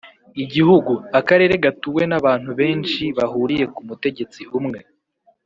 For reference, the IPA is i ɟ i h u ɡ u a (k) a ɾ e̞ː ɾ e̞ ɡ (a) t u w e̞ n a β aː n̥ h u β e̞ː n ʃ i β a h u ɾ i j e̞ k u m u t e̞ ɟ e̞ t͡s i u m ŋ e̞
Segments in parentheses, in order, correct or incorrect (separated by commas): correct, correct